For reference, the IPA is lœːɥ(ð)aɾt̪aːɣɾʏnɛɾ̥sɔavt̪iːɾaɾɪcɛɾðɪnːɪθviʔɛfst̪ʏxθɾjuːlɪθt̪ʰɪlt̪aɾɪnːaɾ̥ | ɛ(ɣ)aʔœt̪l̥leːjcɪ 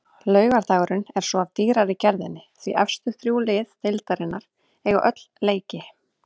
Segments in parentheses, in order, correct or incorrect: incorrect, correct

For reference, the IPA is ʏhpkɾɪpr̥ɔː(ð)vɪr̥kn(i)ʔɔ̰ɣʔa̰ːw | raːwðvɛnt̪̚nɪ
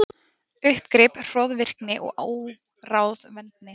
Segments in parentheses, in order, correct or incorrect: correct, incorrect

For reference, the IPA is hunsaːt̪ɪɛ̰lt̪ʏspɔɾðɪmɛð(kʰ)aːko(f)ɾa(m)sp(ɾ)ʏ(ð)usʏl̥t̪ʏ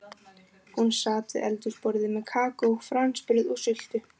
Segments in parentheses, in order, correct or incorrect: correct, correct, incorrect, correct, correct

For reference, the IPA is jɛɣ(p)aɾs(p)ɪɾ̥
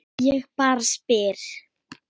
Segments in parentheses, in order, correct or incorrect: correct, correct

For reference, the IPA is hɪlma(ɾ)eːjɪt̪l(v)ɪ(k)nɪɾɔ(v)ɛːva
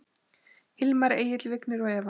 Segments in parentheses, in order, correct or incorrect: correct, correct, correct, incorrect

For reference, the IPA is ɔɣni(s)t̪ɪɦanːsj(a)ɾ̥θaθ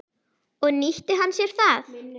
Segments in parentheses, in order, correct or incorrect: incorrect, incorrect

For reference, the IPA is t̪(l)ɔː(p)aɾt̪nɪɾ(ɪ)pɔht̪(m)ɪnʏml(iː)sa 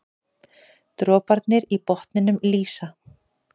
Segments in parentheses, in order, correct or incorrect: incorrect, correct, incorrect, incorrect, correct

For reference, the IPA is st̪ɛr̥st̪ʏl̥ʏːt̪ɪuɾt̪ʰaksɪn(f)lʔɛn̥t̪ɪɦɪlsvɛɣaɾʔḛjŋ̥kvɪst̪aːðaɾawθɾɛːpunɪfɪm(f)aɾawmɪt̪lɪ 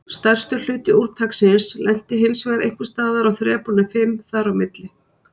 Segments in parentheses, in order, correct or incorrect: incorrect, incorrect

